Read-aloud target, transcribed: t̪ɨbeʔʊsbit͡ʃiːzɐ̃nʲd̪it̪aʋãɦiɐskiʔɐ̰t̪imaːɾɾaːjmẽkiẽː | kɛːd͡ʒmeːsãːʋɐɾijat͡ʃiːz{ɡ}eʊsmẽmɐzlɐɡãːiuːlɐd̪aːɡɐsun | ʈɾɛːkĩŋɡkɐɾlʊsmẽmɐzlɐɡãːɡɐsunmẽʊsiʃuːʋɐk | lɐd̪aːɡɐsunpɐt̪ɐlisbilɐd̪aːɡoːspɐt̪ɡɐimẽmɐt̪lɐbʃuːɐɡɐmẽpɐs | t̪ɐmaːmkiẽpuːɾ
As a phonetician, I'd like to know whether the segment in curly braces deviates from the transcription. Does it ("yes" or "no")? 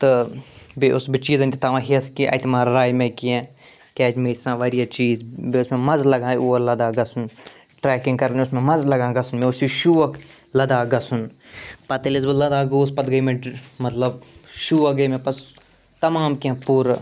yes